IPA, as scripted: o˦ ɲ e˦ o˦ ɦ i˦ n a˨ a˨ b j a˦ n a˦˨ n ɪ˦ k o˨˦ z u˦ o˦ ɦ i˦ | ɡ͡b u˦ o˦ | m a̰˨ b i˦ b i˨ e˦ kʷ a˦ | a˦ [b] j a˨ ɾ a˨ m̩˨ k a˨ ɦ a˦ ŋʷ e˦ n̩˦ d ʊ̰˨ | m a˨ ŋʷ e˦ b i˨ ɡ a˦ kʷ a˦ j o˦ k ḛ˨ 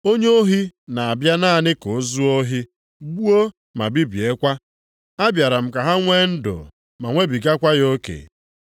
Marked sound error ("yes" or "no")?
no